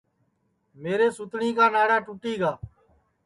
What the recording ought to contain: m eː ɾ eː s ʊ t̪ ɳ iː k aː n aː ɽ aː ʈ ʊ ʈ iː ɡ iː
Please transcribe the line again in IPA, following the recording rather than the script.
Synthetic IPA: m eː ɾ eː s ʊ t̪ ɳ iː k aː n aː ɽ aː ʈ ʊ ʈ iː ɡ aː